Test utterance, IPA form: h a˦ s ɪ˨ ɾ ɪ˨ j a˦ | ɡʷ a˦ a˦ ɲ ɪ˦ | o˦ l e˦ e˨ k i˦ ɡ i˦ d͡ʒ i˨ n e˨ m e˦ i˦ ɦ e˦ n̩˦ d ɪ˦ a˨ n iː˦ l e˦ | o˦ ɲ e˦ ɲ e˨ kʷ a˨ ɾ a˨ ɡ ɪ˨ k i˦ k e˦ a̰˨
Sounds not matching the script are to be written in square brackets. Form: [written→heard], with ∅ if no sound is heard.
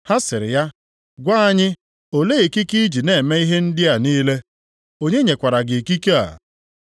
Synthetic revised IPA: h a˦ s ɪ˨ ɾ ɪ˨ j a˦ | ɡʷ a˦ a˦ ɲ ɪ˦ | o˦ l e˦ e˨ k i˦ [ɡ→k] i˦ d͡ʒ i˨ n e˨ m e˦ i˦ ɦ e˦ n̩˦ d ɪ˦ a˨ n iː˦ l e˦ | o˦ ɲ e˦ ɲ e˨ kʷ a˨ ɾ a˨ ɡ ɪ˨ k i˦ k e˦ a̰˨